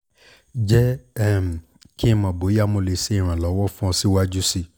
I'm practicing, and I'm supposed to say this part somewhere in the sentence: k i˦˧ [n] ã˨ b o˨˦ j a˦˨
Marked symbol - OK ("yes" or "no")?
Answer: no